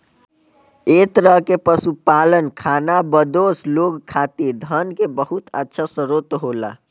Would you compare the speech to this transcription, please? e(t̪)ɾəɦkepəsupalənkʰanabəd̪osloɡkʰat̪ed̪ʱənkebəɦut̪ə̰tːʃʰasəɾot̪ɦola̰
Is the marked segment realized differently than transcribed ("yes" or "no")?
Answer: no